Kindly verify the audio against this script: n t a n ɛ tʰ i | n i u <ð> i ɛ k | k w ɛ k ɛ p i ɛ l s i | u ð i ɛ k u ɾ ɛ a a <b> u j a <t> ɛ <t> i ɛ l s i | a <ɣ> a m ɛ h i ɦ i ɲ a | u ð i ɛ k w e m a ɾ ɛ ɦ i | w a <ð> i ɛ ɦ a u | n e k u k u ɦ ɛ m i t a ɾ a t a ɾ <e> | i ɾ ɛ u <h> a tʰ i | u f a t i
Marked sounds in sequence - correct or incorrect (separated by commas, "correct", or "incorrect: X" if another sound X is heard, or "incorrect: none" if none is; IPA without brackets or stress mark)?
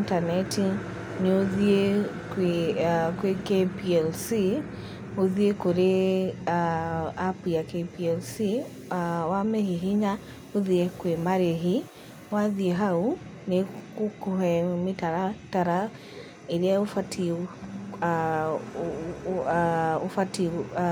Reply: correct, incorrect: p, incorrect: k, incorrect: p, incorrect: w, correct, incorrect: a, incorrect: f